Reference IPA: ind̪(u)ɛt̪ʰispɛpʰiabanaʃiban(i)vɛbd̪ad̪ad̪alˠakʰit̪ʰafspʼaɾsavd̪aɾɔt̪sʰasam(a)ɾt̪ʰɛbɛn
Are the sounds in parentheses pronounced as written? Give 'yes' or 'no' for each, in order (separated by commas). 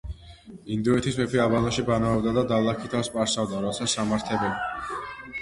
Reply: yes, no, yes